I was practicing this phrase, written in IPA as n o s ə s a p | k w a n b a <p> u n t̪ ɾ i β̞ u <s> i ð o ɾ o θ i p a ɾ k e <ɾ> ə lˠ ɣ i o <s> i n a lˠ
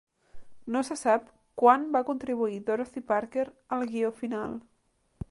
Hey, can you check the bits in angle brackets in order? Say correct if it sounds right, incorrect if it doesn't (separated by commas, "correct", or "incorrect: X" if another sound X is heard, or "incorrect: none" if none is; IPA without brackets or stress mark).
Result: incorrect: k, incorrect: none, correct, incorrect: f